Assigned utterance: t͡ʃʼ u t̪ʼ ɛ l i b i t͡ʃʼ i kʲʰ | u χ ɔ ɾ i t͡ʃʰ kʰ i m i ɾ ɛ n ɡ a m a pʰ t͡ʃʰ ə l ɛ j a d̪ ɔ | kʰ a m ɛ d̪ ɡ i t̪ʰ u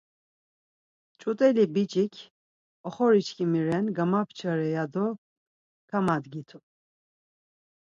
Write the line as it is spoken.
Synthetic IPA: t͡ʃʼ u t̪ʼ ɛ l i b i t͡ʃʼ i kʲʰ | ɔ χ ɔ ɾ i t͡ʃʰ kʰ i m i ɾ ɛ n ɡ a m a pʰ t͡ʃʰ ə ɾ ɛ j a d̪ ɔ | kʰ a m a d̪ ɡ i t̪ʰ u